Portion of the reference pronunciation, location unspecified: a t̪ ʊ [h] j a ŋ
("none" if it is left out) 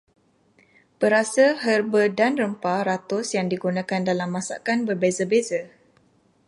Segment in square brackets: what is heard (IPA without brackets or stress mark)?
s